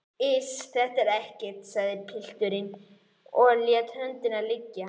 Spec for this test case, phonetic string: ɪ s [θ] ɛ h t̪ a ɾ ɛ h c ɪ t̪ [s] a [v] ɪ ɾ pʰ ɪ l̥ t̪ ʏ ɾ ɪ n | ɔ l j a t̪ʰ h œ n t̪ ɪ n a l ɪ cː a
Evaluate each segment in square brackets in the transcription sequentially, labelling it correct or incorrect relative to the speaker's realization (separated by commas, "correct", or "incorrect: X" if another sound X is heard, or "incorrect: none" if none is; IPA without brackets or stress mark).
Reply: correct, correct, incorrect: ð